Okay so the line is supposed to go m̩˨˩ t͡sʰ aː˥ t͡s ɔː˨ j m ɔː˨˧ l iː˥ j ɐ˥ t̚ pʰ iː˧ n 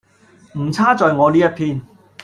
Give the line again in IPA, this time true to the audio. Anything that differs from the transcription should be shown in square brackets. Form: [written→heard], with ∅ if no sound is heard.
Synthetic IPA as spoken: m̩˨˩ t͡sʰ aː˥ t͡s ɔː˨ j [m→ŋ] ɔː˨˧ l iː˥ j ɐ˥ t̚ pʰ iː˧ n